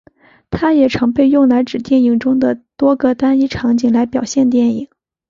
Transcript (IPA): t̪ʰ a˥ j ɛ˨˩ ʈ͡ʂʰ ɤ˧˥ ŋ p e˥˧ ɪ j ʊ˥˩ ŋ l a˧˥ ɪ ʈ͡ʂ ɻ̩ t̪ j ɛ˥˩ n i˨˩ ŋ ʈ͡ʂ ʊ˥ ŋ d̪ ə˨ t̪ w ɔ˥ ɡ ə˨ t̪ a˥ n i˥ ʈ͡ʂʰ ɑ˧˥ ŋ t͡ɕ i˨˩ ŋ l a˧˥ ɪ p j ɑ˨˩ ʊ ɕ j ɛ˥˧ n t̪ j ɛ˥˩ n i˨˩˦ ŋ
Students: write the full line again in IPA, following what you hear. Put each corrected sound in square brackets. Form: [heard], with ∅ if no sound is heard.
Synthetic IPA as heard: t̪ʰ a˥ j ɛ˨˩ ʈ͡ʂʰ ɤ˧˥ ŋ p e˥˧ ɪ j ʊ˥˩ ŋ l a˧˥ ɪ ʈ͡ʂ ɻ̩ t̪ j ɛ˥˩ n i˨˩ ŋ ʈ͡ʂ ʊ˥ ŋ d̪ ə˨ t̪ w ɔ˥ ɡ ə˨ t̪ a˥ n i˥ ʈ͡ʂʰ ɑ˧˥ ŋ t͡ɕ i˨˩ ŋ l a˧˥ ɪ p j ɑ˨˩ ʊ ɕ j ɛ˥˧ n t̪ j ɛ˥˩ n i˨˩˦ ŋ